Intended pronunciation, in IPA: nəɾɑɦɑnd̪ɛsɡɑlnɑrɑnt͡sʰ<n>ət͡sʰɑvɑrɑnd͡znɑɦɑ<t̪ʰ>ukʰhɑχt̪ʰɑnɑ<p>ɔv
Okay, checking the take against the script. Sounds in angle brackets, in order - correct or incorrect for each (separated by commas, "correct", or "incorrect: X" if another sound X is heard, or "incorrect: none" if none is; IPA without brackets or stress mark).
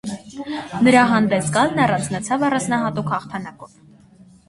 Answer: correct, incorrect: t̪, incorrect: k